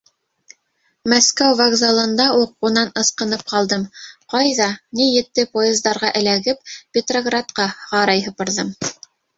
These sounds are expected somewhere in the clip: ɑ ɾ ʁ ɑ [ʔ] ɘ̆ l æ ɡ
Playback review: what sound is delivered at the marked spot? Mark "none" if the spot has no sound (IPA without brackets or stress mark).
ʔ